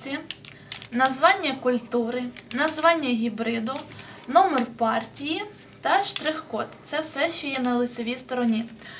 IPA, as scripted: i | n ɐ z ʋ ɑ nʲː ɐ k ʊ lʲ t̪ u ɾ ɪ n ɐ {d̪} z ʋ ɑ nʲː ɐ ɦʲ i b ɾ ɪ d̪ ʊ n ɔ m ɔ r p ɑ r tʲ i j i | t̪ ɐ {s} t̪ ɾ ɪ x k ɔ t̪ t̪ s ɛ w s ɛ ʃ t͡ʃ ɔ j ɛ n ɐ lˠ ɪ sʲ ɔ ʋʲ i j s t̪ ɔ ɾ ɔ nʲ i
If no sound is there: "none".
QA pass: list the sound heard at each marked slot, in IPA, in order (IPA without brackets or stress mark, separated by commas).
none, ʃ